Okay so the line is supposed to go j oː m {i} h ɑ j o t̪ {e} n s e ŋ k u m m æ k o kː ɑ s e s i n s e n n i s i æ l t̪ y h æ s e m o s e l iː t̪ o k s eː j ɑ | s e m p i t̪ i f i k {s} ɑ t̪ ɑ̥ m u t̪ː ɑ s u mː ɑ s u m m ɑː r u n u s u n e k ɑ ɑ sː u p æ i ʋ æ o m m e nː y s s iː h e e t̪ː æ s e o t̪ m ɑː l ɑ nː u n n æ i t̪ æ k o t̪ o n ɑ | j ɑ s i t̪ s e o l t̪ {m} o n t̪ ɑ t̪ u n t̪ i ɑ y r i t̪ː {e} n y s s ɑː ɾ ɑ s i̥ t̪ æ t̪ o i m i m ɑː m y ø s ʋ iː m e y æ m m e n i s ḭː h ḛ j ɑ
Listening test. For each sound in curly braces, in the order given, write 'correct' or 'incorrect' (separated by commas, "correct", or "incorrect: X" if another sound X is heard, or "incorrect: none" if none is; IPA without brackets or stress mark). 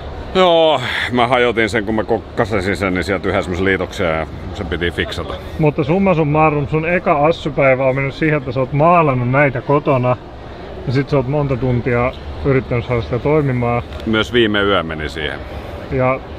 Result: incorrect: æ, incorrect: i, correct, correct, incorrect: æ